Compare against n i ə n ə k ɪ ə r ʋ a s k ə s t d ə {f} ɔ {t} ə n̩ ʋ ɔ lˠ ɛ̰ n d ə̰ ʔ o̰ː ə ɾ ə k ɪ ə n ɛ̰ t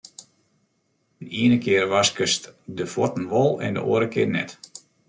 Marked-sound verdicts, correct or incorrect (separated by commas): correct, correct